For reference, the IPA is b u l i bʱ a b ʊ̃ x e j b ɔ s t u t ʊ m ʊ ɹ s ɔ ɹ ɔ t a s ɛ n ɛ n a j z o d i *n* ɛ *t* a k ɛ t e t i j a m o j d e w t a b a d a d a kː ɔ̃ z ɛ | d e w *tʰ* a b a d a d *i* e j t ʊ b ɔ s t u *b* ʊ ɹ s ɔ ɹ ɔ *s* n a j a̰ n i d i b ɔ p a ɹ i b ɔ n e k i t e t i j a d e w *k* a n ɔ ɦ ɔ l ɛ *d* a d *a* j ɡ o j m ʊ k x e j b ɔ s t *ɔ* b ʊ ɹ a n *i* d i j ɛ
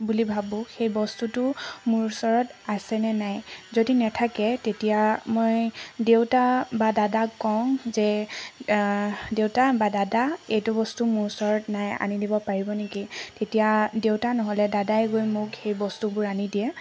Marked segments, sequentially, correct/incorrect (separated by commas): correct, incorrect, incorrect, incorrect, incorrect, incorrect, incorrect, correct, correct, incorrect, correct